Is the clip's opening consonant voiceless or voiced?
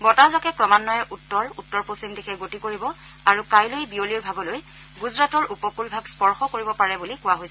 voiced